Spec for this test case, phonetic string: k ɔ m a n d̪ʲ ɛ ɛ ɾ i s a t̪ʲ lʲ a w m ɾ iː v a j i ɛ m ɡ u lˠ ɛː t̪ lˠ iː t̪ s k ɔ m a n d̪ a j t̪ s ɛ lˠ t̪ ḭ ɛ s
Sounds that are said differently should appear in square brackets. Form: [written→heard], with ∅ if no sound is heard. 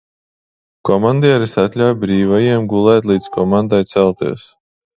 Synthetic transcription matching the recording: k ɔ m a n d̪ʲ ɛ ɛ ɾ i s a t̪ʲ lʲ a w [m→b] ɾ iː v a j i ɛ m ɡ u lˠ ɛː t̪ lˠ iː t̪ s k ɔ m a n d̪ a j t̪ s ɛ lˠ t̪ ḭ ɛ s